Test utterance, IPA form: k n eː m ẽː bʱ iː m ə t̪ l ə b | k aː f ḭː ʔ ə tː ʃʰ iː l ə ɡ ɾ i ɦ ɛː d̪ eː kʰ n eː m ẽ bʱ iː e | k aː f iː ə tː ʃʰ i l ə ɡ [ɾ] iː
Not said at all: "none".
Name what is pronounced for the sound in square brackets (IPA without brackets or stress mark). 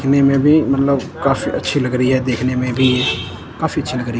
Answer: ɾ